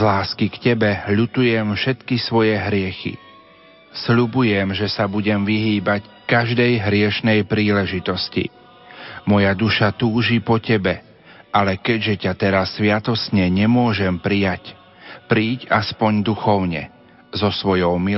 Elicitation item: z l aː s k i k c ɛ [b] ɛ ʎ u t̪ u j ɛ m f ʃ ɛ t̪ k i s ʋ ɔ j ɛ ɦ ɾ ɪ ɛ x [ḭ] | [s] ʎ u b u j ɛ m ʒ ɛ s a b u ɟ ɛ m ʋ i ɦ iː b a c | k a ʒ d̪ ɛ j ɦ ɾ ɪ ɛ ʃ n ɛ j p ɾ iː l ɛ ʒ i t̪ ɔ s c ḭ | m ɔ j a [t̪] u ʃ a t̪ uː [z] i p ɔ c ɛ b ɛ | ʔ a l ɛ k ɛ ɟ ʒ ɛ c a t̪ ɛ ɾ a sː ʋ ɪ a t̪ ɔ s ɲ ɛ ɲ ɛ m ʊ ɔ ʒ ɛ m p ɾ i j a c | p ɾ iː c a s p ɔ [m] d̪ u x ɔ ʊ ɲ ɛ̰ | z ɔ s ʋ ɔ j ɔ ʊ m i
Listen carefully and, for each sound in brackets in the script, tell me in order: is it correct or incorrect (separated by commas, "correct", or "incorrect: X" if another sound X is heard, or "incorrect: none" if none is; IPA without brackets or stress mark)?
correct, correct, correct, incorrect: d̪, incorrect: ʒ, incorrect: ɲ